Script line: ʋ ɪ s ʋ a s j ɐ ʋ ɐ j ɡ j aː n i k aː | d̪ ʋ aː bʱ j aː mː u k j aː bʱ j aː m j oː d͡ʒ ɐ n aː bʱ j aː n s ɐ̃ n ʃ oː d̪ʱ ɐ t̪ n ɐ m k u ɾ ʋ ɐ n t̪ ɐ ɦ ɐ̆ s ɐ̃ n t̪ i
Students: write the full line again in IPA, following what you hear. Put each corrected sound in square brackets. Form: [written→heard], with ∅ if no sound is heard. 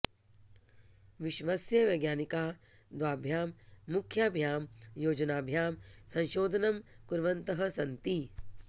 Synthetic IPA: ʋ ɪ [s→ʃ] ʋ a s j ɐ ʋ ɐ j ɡ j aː n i k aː | d̪ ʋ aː bʱ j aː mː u [k→kʰ] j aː bʱ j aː m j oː d͡ʒ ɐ n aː bʱ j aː [n→m] s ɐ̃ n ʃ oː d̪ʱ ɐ [t̪→∅] n ɐ m k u ɾ ʋ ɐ n t̪ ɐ ɦ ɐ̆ s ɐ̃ n t̪ i